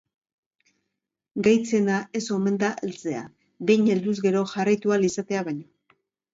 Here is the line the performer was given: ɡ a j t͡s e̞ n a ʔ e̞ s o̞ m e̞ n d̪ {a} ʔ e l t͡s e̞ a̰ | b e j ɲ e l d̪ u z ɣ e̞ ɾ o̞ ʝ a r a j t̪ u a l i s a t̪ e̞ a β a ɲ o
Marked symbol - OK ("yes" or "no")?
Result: yes